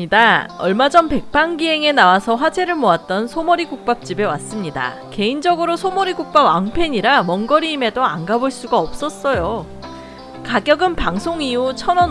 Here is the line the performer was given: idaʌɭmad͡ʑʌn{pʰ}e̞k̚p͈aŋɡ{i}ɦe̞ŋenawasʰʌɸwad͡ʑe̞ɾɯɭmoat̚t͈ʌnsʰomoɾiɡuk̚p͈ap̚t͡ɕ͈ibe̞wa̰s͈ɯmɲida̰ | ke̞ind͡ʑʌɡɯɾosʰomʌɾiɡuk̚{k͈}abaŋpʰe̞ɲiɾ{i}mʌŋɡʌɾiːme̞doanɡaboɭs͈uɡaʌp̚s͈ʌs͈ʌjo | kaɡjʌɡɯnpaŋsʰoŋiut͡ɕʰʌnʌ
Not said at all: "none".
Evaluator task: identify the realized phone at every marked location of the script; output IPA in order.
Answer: p, i, p͈, a

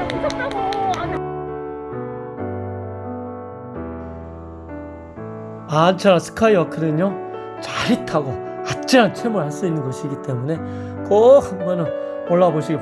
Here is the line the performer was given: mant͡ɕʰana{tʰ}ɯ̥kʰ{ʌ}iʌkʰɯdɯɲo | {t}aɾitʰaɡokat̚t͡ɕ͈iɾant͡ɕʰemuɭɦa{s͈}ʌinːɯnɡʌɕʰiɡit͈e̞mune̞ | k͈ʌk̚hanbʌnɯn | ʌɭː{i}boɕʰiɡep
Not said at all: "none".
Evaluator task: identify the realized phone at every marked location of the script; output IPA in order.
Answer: sʰ, a, t͡ɕ, s͈, a

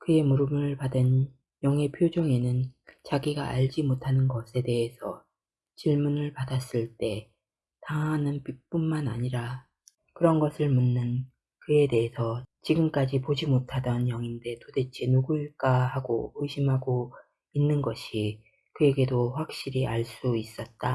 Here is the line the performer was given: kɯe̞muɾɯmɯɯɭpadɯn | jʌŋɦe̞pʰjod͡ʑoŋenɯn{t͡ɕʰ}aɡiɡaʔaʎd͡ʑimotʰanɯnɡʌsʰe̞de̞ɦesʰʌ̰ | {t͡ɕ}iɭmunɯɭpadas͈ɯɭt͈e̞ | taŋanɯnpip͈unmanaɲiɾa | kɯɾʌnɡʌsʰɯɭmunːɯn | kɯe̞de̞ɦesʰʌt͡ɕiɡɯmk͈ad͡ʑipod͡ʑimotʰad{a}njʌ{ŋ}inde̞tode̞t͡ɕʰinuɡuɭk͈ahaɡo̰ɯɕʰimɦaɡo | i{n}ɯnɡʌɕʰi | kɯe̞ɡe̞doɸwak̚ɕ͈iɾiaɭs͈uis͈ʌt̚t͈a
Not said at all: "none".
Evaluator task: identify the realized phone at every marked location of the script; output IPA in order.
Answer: t͡ɕ, t͡ɕ, ʌ, ŋ, nː

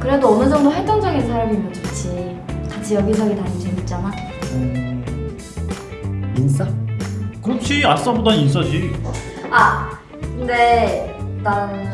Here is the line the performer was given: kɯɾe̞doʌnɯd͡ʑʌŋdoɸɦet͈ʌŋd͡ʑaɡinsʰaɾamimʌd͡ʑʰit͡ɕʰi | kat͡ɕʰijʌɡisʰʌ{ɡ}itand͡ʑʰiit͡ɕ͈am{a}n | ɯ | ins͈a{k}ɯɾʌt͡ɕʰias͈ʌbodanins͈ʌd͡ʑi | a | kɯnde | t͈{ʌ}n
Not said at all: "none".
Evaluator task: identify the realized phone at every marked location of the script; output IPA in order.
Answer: ɡ, a, k, a

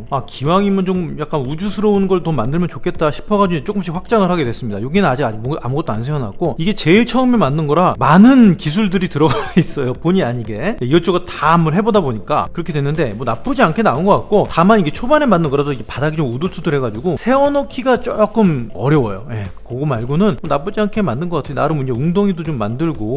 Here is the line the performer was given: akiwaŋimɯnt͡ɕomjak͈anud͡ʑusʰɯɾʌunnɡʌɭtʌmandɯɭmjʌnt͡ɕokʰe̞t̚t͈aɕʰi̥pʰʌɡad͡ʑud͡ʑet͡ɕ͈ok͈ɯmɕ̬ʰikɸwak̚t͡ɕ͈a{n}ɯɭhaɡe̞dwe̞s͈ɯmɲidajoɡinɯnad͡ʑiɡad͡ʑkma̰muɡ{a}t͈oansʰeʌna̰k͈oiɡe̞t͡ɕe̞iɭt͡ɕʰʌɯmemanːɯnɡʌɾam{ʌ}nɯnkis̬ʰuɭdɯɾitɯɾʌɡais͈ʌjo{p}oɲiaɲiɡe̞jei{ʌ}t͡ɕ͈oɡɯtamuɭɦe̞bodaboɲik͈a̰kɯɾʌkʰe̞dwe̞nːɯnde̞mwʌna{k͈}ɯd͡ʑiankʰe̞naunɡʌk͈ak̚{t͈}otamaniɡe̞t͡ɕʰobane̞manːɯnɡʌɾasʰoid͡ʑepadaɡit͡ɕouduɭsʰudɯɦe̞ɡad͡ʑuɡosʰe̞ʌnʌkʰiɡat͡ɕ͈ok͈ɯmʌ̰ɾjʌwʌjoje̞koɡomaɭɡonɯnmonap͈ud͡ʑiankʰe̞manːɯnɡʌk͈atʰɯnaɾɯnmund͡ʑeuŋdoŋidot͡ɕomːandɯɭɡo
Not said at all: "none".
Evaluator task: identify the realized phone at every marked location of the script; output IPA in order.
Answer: ŋ, ʌ, a, p, ʌ, p͈, k͈

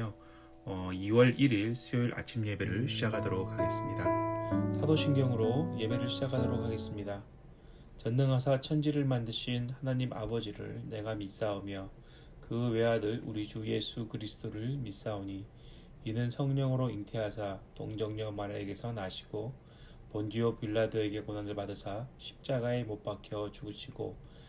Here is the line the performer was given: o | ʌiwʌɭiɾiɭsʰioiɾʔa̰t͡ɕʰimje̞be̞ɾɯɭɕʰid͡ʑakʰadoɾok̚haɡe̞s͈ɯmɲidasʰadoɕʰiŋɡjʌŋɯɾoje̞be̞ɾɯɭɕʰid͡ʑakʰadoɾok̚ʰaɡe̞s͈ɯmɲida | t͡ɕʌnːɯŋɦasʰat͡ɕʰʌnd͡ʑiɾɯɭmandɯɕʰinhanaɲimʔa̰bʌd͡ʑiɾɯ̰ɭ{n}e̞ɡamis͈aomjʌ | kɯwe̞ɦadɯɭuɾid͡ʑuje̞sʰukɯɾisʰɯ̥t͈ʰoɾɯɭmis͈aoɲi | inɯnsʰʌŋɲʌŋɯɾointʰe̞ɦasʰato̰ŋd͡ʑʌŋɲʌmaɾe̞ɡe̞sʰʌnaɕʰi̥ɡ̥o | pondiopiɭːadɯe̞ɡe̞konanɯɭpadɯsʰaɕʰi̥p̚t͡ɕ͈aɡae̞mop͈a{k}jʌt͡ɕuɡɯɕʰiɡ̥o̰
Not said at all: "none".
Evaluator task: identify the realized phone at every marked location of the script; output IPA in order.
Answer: n, kʰ

